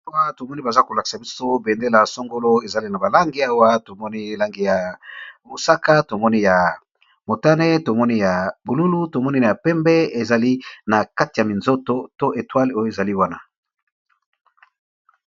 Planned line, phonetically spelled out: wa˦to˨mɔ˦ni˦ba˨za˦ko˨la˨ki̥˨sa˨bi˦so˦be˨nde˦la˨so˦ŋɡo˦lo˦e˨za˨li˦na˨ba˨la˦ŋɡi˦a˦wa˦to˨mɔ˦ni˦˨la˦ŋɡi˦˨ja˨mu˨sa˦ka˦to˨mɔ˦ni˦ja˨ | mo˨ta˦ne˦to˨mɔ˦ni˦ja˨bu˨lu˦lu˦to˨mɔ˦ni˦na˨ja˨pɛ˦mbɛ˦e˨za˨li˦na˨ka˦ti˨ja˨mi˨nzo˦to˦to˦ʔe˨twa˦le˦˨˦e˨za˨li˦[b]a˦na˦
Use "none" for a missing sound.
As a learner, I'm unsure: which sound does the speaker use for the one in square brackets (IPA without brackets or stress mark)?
w